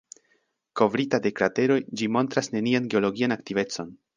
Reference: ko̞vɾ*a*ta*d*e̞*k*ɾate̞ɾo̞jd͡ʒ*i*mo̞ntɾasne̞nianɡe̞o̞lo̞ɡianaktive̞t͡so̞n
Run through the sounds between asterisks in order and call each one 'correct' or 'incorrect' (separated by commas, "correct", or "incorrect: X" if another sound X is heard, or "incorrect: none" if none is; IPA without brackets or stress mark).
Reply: incorrect: i, correct, correct, correct